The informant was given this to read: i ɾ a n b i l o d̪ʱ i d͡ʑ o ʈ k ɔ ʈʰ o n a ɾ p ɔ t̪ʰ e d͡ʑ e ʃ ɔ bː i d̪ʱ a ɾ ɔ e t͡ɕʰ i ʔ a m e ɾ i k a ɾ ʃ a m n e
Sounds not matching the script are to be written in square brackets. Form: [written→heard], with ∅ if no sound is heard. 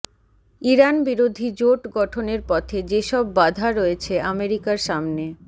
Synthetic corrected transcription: i ɾ a n b i [l→ɾ] o d̪ʱ i d͡ʑ o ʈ [k→ɡ] ɔ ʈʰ o n [a→e] ɾ p ɔ t̪ʰ e d͡ʑ e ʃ ɔ bː [i→a] d̪ʱ a ɾ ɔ e t͡ɕʰ [i→e] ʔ a m e ɾ i k a ɾ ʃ a m n e

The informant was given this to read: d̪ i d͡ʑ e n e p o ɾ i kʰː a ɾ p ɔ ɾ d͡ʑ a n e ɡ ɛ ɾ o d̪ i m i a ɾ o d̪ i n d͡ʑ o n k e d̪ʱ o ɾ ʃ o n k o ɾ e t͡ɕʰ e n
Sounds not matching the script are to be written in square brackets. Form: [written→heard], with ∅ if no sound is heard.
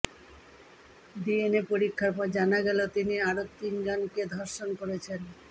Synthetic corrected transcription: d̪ i [d͡ʑ→∅] e n e p o ɾ i kʰː a ɾ p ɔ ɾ d͡ʑ a n [e→a] ɡ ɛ [ɾ→l] o [d̪→t̪] i [m→n] i a ɾ o [d̪→t̪] i n d͡ʑ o n k e d̪ʱ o ɾ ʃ o n k o ɾ e t͡ɕʰ e n

